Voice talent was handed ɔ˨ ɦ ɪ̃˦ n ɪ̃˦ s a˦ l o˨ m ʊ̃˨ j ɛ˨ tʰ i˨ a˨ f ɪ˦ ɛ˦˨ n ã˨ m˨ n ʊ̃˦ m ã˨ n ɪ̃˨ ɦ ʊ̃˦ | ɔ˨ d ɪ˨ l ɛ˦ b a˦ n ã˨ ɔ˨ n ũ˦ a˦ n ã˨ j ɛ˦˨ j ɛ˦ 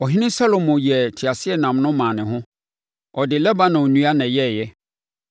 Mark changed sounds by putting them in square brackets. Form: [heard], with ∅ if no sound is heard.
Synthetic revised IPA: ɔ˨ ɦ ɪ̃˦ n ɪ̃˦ s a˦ l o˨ m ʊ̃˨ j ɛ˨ tʰ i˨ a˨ [s] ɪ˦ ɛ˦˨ n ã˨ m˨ n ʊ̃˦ m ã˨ n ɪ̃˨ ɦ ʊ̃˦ | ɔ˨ d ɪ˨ l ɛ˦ b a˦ n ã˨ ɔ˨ n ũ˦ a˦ n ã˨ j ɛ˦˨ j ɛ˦